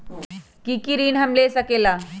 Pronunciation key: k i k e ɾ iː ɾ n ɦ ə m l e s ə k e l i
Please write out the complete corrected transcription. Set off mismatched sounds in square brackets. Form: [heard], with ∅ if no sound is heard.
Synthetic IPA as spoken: k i k [i] ɾ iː [∅] n ɦ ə m l e s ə k e l [a]